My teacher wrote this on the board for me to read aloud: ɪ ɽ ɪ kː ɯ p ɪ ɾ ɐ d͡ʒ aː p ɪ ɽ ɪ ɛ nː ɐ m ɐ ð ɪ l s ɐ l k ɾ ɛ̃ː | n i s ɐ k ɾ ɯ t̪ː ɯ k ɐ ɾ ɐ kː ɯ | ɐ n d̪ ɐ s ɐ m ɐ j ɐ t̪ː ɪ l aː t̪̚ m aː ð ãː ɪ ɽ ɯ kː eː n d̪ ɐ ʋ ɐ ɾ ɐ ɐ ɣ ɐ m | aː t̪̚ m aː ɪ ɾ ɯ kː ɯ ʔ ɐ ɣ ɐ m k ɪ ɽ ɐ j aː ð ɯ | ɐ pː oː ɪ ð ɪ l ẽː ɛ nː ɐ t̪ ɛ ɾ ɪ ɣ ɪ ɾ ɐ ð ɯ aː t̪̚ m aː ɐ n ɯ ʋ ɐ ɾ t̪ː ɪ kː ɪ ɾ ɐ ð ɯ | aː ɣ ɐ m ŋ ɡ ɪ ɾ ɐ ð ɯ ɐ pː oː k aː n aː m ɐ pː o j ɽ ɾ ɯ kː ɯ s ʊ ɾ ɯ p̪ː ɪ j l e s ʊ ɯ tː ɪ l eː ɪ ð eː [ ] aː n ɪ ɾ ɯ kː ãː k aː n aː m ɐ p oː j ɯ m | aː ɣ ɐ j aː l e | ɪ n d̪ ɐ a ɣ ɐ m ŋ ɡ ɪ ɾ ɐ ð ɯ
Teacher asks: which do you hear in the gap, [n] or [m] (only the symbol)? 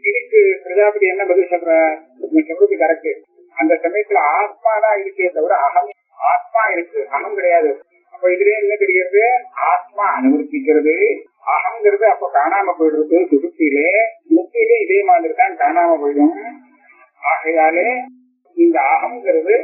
m